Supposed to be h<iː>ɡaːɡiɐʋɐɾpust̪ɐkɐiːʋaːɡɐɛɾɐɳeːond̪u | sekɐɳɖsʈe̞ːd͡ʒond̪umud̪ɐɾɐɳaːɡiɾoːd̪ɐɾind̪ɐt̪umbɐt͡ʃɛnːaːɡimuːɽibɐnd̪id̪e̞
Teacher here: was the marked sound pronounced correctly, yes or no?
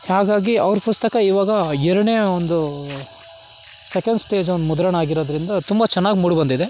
no